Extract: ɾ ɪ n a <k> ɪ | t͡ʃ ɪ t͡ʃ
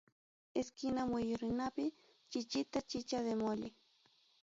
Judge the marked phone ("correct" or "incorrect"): incorrect